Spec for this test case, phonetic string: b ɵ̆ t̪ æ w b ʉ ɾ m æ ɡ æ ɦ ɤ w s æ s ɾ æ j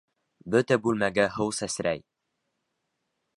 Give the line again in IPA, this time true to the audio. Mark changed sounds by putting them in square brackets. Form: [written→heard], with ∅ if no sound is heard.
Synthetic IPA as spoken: b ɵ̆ t̪ æ [w→∅] b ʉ [ɾ→l] m æ ɡ æ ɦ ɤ w s æ s ɾ æ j